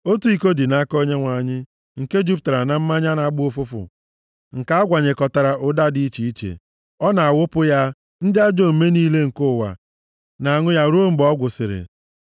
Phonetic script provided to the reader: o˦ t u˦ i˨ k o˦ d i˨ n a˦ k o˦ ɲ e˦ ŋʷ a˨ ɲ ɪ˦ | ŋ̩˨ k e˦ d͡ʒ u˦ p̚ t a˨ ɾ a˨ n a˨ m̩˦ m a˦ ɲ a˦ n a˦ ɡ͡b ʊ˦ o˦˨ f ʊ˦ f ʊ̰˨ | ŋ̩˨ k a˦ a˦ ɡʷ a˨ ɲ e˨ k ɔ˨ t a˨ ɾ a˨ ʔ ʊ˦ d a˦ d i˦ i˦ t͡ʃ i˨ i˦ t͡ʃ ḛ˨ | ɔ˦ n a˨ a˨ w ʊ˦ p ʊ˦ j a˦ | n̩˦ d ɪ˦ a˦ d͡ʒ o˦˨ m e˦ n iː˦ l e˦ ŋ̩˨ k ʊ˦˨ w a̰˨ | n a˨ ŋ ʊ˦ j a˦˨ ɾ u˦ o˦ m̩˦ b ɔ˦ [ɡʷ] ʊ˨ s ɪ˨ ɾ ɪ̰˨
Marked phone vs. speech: correct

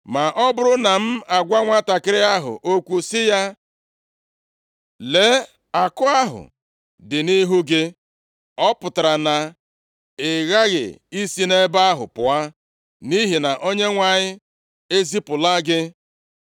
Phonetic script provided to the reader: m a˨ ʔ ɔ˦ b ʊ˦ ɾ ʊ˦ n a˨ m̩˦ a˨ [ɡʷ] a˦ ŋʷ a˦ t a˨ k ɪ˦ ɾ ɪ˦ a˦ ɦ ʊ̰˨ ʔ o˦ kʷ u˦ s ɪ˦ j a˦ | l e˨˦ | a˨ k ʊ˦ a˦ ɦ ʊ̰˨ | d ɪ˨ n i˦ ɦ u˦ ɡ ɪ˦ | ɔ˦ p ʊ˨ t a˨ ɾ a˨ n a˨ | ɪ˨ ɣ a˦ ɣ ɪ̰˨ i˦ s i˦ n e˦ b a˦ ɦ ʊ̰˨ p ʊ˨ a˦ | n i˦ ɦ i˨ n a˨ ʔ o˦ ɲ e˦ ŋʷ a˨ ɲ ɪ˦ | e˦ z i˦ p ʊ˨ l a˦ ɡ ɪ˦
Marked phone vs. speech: correct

